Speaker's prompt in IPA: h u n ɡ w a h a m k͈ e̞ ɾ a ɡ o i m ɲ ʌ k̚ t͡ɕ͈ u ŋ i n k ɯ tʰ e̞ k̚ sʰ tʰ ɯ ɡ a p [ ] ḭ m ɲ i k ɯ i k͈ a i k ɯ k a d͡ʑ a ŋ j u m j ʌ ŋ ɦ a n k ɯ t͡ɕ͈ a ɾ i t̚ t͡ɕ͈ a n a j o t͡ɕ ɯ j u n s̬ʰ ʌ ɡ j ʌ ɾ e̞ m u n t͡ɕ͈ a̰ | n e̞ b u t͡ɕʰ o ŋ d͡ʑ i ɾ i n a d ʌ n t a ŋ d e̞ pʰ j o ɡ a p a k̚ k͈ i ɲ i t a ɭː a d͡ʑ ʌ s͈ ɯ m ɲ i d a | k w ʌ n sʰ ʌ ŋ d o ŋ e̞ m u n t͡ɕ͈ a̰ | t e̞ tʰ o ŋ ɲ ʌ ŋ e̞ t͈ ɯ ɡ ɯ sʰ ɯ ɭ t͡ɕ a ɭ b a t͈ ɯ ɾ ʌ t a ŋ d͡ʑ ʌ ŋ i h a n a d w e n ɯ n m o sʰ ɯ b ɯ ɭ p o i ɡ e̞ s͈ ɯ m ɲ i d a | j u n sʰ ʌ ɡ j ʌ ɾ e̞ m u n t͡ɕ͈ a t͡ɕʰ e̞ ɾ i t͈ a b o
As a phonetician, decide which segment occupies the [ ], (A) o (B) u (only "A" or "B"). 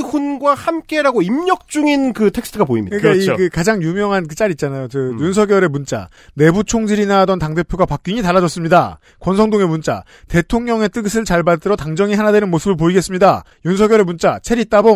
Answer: A